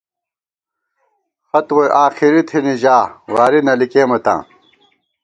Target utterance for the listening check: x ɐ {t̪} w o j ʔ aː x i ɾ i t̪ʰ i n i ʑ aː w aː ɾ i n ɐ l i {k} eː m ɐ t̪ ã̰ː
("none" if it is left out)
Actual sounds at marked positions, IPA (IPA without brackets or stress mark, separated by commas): t̪, k